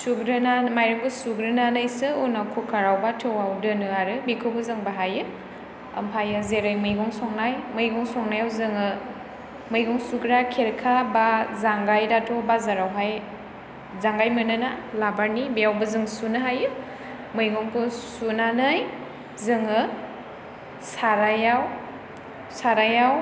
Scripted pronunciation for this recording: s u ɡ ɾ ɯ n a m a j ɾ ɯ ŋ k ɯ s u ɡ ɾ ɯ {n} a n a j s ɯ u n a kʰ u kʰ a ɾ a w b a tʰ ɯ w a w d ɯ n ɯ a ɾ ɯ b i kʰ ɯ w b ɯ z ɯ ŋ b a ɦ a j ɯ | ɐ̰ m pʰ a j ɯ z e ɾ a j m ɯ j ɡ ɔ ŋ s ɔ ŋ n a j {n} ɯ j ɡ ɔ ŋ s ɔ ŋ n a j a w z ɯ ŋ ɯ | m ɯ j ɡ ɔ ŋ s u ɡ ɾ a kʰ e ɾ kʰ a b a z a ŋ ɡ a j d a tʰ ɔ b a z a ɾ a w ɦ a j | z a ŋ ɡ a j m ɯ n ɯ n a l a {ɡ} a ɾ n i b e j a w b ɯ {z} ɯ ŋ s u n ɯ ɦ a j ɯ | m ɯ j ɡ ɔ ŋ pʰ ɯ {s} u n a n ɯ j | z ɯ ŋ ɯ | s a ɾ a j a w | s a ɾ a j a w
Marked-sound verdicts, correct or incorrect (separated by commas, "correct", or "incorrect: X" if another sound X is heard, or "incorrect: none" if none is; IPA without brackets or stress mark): correct, incorrect: m, incorrect: b, correct, correct